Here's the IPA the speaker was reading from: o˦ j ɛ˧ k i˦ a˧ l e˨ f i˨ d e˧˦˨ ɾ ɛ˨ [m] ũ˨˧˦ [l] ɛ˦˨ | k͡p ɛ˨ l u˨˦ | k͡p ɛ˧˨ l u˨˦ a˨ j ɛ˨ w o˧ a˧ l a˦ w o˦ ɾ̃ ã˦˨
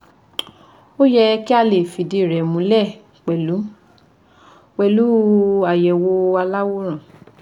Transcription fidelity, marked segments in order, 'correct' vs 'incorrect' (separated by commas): correct, correct